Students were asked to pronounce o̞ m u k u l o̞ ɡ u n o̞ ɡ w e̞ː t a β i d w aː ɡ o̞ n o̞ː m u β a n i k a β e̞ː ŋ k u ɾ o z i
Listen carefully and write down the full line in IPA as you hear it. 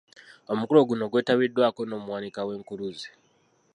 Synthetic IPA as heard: o̞ m u k u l o̞ ɡ u n o̞ ɡ w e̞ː t a β i d w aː k o̞ n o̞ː m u w a n i k a w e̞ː ŋ k u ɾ u z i